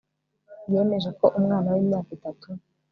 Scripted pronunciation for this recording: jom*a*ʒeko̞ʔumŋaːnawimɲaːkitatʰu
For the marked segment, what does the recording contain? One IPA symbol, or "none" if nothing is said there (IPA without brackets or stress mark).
e